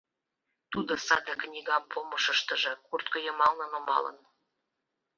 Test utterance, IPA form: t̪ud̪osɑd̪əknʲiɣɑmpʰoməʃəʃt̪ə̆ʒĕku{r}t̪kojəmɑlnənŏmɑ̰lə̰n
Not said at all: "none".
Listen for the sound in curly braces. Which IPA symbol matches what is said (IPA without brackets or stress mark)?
r